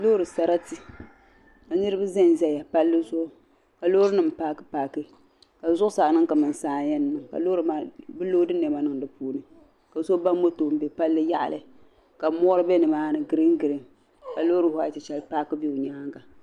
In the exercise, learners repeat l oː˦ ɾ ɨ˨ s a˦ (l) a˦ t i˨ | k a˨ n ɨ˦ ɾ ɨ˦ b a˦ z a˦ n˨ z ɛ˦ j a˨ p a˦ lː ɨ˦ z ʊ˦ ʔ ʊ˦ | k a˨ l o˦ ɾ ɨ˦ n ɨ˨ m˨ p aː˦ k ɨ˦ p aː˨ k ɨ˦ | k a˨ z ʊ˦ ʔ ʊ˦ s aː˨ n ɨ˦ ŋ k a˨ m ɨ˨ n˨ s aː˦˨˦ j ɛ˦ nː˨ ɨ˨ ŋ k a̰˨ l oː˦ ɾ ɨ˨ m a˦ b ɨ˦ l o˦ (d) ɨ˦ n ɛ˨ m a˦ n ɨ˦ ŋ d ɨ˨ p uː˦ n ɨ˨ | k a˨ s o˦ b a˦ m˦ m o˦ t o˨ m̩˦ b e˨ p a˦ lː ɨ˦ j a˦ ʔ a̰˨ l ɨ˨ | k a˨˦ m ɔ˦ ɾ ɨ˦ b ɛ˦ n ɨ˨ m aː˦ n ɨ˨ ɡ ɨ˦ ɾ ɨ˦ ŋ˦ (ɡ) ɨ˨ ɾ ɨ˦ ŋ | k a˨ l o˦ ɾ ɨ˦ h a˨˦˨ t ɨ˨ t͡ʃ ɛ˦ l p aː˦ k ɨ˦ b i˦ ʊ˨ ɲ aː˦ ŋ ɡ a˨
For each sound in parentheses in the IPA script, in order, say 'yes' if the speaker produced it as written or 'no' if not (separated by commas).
no, yes, yes